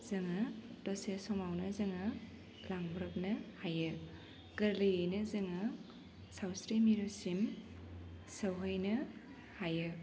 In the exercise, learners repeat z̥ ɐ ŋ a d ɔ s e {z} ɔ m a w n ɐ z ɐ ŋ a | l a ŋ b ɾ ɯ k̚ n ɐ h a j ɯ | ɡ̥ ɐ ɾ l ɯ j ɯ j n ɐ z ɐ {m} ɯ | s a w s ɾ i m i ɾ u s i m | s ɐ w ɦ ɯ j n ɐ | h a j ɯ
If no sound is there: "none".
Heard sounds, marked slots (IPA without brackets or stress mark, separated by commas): s, ŋ